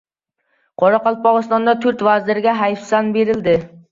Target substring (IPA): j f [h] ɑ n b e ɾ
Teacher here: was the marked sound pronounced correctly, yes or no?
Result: no